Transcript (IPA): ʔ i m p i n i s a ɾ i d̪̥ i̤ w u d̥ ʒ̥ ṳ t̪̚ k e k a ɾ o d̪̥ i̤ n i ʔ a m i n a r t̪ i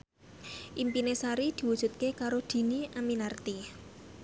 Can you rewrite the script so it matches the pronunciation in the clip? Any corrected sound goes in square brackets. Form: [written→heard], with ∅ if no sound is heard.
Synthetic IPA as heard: ʔ i m p i n [i→e] s a ɾ i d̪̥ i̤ w u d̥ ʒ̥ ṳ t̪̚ k e k a ɾ o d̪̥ i̤ n i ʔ a m i n a r t̪ i